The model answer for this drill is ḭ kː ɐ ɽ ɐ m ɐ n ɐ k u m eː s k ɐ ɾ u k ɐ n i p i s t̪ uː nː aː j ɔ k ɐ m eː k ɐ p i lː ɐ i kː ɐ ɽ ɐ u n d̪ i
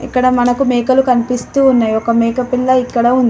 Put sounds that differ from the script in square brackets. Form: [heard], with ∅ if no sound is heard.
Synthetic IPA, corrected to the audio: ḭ kː ɐ ɽ ɐ m ɐ n ɐ k u m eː [∅] k ɐ [l] u k ɐ n i p i s t̪ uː nː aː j ɔ k ɐ m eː k ɐ p i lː ɐ i kː ɐ ɽ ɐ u n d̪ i

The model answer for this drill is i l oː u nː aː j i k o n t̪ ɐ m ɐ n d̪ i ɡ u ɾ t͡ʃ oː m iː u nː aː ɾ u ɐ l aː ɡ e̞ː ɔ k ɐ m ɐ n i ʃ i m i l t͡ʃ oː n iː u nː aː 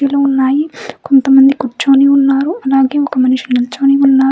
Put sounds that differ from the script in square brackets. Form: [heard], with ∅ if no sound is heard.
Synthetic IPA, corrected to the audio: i l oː u nː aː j i k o n t̪ ɐ m ɐ n d̪ i [k] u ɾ t͡ʃ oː [n] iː u nː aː ɾ u ɐ l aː ɡ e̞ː ɔ k ɐ m ɐ n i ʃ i [n] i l t͡ʃ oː n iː u nː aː

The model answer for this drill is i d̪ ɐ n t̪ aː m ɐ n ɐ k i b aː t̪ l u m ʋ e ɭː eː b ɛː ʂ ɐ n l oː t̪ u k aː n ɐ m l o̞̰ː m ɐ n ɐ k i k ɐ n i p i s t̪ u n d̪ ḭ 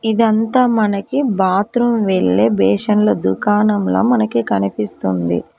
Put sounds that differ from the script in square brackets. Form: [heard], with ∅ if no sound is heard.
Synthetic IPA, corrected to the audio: i d̪ ɐ n t̪ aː m ɐ n ɐ k i b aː t̪ [ɾ] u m ʋ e ɭː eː b ɛː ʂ ɐ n l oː [d̪] u k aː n ɐ m l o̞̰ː m ɐ n ɐ k i k ɐ n i p i s t̪ u n d̪ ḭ

